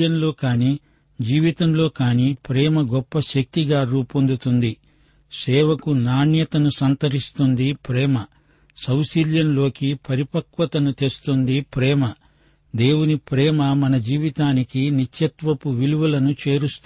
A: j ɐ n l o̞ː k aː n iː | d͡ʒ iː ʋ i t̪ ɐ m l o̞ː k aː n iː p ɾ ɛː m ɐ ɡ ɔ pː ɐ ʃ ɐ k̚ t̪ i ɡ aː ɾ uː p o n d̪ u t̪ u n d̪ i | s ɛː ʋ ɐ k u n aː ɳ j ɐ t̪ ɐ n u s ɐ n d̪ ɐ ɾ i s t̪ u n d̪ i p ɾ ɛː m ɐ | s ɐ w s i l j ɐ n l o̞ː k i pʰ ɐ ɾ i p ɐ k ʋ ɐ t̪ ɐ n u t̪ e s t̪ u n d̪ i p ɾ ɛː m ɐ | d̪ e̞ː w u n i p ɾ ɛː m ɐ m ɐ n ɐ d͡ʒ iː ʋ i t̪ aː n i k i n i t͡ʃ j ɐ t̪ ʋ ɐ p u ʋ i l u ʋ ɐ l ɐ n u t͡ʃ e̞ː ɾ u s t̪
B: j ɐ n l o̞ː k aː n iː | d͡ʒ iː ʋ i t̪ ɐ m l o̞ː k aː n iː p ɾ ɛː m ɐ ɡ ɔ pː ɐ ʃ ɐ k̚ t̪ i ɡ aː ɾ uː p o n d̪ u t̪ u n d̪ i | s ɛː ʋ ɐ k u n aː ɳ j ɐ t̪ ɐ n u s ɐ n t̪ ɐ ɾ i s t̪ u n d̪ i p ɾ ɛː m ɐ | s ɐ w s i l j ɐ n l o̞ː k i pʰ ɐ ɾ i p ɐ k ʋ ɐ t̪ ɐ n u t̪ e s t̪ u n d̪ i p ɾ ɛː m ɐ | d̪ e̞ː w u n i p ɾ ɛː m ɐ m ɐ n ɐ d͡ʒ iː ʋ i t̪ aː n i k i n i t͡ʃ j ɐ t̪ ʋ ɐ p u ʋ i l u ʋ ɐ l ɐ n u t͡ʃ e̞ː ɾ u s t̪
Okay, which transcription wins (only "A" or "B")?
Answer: B